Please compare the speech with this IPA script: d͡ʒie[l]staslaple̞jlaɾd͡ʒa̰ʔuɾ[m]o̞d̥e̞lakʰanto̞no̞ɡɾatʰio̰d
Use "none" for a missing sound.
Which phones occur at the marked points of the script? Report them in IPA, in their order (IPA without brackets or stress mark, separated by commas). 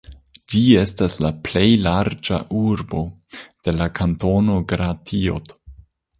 none, b